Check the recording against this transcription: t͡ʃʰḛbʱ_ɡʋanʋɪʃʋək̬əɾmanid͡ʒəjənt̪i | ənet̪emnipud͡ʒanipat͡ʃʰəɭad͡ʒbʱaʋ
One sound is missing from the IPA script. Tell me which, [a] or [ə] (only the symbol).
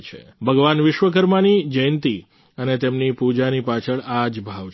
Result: ə